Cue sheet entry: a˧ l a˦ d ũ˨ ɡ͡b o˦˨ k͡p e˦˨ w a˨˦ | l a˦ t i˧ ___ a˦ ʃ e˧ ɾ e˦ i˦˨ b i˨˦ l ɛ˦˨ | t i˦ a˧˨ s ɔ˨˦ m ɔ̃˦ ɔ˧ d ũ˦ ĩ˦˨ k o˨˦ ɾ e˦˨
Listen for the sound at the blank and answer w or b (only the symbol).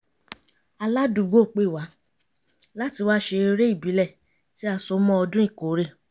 w